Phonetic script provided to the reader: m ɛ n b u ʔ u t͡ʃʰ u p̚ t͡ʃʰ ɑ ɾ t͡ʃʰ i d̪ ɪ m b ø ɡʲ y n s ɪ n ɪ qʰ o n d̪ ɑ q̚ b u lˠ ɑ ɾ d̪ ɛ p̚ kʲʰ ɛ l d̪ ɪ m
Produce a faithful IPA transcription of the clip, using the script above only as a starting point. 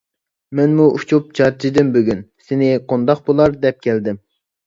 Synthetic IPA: m ɛ n m u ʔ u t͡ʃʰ u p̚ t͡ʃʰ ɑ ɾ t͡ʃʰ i d̪ ɪ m b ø ɡʲ y n s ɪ n ɪ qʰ o n d̪ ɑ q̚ b o lˠ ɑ ɾ d̪ ɛ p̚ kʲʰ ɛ l d̪ ɪ m